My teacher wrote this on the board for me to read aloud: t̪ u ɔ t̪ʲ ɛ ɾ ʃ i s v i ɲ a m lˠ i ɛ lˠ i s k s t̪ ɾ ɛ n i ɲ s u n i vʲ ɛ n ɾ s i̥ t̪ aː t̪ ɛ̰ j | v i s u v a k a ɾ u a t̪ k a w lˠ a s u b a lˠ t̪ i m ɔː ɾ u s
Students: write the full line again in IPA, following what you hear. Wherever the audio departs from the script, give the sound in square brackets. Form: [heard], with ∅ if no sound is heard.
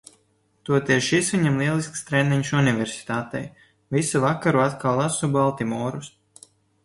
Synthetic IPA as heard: t̪ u ɔ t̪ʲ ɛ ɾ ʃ i s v i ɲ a m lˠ i ɛ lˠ i s k s t̪ ɾ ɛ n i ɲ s u n i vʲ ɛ [∅] ɾ s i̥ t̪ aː t̪ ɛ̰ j | v i s u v a k a ɾ u a t̪ k a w lˠ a s u b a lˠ t̪ i m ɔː ɾ u s